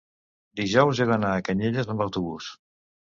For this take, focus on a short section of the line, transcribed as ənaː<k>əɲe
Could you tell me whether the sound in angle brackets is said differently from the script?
no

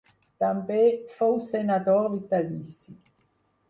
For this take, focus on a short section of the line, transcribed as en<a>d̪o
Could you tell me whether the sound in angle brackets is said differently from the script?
no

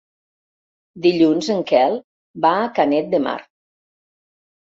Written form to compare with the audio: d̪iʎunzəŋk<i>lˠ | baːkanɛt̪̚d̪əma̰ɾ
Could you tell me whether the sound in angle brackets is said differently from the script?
yes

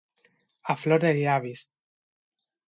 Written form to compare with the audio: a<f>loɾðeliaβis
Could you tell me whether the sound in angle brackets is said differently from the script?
no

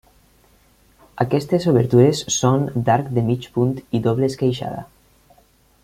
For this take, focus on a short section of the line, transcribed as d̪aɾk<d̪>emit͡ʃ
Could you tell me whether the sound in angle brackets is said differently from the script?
no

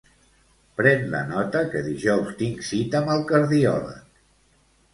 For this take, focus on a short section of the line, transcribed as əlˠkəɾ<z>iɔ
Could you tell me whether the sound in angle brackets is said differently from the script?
yes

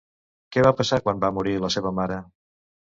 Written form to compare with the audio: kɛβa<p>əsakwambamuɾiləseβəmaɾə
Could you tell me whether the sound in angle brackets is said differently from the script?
no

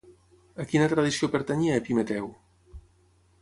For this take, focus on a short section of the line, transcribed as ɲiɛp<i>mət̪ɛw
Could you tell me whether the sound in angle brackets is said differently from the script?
no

